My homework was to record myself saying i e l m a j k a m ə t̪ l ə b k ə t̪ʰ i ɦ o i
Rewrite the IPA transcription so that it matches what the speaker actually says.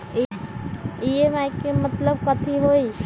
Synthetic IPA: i e m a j k e m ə t̪ l ə b k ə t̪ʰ i ɦ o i